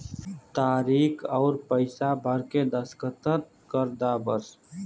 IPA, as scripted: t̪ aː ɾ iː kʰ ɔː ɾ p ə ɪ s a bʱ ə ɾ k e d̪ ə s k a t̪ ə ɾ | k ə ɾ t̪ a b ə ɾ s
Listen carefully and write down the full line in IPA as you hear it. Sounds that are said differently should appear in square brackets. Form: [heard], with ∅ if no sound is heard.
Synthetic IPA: t̪ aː ɾ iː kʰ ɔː ɾ p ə ɪ s a bʱ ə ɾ k e d̪ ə s k [ə] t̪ ə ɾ | k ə ɾ [d̪] a b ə ɾ s